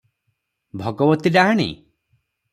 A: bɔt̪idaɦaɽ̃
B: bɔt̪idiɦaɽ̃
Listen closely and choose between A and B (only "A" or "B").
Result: A